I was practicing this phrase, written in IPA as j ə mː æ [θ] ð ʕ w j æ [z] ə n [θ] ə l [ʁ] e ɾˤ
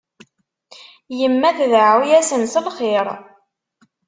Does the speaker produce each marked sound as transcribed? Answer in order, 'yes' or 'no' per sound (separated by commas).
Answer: yes, no, no, no